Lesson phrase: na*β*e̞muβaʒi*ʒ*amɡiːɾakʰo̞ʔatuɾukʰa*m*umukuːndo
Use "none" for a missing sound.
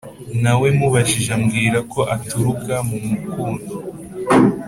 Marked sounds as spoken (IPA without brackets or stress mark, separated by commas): w, ʒ, m